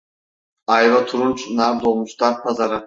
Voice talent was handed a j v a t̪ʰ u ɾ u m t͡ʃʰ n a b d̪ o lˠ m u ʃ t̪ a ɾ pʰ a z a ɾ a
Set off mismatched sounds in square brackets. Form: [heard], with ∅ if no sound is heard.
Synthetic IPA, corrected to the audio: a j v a t̪ʰ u ɾ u [n] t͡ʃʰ n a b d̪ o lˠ m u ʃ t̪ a ɾ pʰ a z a ɾ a